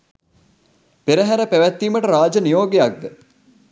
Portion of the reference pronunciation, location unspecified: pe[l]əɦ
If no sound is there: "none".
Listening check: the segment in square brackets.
ɾ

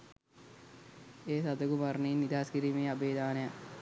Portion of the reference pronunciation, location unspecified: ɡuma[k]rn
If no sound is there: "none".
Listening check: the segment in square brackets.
none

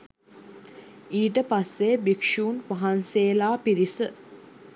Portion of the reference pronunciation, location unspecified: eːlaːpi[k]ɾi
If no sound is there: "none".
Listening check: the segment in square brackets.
none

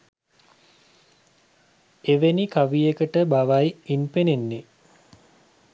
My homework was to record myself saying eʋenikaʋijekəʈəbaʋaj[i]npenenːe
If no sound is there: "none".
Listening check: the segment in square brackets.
i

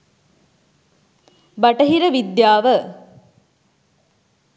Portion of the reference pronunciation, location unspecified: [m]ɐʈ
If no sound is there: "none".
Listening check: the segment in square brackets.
b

